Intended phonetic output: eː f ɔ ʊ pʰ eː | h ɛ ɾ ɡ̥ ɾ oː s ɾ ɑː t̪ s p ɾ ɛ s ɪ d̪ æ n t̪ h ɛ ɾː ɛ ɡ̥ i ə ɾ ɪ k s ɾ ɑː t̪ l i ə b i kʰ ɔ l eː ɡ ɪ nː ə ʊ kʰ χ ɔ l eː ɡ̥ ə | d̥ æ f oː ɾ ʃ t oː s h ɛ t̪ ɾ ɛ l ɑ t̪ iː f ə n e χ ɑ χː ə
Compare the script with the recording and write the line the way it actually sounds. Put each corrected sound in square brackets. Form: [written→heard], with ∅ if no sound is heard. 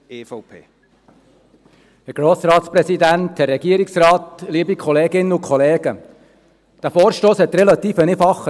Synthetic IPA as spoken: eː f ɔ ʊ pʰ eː | h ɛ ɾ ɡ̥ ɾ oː s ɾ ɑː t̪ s p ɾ ɛ s [ɪ→i] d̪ æ n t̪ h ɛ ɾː ɛ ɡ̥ i ə ɾ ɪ k s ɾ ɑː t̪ l i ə b i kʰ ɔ l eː ɡ ɪ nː ə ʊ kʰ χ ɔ l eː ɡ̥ ə | d̥ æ f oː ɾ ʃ t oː s h ɛ t̪ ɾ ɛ l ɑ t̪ iː f ə n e [χ→f] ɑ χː ə